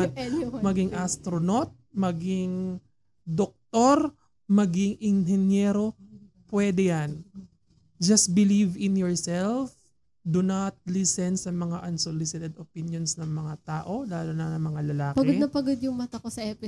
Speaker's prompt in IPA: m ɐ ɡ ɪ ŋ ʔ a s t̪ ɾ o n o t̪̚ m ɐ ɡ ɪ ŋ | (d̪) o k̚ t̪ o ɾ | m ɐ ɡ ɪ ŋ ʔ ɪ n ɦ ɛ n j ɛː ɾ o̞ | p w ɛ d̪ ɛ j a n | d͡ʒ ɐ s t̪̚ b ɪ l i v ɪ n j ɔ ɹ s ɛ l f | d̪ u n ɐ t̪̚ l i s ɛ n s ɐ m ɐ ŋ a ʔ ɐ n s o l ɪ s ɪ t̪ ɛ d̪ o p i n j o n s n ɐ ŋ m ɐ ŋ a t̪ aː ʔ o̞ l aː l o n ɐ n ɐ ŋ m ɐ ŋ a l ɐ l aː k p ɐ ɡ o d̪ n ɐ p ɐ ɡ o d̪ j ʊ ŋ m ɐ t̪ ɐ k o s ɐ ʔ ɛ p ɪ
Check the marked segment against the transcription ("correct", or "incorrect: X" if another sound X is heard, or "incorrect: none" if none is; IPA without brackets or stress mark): correct